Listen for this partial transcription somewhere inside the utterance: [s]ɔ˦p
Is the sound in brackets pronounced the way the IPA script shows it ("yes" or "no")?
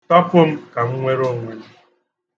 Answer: no